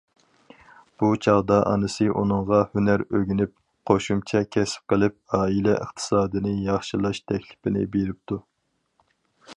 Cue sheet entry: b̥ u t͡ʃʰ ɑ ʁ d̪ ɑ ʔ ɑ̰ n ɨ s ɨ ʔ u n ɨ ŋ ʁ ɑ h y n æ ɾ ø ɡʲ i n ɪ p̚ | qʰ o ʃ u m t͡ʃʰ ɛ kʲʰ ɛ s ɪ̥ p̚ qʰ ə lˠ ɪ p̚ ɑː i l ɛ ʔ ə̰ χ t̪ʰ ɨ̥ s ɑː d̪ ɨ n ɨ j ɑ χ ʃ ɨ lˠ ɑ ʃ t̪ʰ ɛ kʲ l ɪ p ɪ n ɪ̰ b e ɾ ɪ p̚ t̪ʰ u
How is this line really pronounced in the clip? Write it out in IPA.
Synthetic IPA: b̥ u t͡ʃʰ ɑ ʁ d̪ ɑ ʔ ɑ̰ n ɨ s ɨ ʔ u n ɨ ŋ ʁ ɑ h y n æ ɾ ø ɡʲ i n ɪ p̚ | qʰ o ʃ u m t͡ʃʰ ɛ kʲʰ ɛ s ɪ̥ p̚ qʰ ə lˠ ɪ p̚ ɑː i l ɛ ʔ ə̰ χ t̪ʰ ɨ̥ s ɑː d̪ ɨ n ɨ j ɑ χ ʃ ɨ lˠ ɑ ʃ t̪ʰ ɛ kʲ l ɪ p ɪ n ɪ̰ b e ɾ ɪ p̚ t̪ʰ u